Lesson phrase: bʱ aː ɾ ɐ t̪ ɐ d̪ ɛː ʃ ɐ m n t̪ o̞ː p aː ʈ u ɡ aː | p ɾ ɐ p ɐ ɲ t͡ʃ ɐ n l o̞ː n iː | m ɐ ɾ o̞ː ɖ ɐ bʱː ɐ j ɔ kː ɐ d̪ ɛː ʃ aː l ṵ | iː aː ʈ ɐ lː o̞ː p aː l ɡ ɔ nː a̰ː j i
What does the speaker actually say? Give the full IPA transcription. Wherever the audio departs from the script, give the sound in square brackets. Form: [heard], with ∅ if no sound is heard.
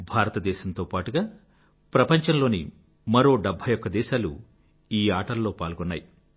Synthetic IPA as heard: bʱ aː ɾ ɐ t̪ ɐ d̪ ɛː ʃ ɐ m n t̪ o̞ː p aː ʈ u ɡ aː | p ɾ ɐ p ɐ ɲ t͡ʃ ɐ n l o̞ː n [i] | m ɐ ɾ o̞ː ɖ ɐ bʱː ɐ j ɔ kː ɐ d̪ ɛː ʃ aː l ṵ | iː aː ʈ ɐ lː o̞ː p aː l ɡ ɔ nː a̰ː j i